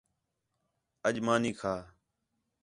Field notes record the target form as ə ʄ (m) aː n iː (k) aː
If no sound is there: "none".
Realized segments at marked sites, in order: m, kʰ

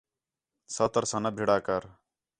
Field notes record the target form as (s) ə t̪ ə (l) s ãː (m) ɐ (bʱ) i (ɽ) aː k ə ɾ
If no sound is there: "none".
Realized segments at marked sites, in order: s, ɾ, n, bʱ, ɽ

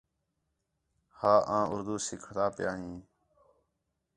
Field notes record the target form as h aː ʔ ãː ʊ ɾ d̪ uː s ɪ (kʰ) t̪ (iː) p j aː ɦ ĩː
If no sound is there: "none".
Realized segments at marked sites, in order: kʰ, aː

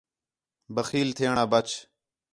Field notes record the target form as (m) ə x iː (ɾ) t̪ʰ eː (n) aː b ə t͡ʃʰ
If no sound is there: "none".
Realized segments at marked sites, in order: b, l, ɳ

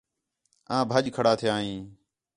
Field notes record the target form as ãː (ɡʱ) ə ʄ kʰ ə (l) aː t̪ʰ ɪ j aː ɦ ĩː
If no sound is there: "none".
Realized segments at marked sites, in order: bʱ, ɽ

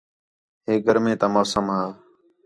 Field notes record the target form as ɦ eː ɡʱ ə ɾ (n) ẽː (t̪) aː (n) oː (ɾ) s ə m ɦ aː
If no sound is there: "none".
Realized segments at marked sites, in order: m, t̪, m, none

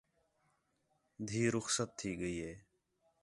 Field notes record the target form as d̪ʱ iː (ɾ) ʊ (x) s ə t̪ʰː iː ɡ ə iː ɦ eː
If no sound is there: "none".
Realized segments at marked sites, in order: ɾ, x

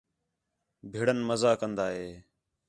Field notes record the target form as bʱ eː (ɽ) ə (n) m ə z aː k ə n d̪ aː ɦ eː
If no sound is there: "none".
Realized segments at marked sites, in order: ɽ, n

